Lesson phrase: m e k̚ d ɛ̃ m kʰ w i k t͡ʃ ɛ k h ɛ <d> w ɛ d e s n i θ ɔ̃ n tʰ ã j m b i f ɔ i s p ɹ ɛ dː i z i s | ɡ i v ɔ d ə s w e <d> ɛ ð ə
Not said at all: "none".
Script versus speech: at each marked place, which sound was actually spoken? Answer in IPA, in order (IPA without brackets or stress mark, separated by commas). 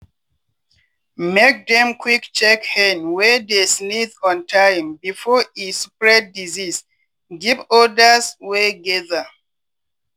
n, ɡ